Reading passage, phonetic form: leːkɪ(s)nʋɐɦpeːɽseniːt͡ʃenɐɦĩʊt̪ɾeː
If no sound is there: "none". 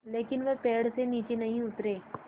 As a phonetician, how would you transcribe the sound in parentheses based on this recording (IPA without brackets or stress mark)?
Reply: none